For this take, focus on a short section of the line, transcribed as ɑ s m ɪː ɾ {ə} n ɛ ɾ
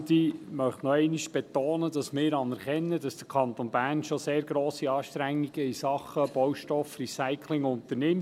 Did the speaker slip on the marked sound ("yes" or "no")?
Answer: yes